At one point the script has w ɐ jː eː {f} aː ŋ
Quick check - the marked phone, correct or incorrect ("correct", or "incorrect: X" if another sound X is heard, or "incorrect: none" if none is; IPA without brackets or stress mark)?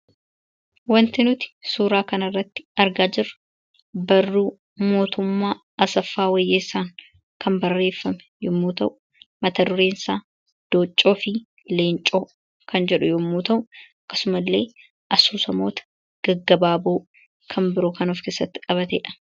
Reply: incorrect: s